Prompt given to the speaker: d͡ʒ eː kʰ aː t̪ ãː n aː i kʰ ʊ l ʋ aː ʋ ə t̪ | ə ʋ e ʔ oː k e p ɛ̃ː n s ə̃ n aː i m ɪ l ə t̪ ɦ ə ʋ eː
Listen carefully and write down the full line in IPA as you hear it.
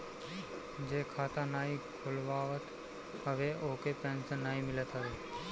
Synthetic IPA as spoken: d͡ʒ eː kʰ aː t̪ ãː n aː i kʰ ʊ l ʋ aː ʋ ə t̪ | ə ʋ e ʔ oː k e p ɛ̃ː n s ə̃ n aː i m ɪ l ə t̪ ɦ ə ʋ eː